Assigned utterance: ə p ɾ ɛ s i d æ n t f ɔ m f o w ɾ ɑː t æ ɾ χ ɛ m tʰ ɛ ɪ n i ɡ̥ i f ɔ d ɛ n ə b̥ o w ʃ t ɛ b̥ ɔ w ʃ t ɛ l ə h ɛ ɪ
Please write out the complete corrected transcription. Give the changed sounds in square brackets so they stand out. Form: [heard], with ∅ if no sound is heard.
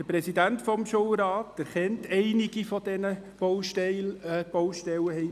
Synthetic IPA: ə p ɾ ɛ s i d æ n t f ɔ m [ʃ] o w ɾ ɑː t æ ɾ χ ɛ [n] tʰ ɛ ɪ n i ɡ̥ i f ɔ d ɛ n ə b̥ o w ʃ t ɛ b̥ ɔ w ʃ t ɛ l ə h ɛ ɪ